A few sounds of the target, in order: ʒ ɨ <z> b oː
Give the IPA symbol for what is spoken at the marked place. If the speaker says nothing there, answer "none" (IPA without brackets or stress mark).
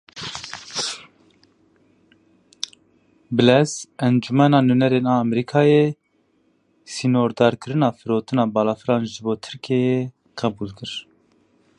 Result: none